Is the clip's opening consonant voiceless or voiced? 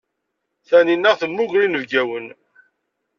voiceless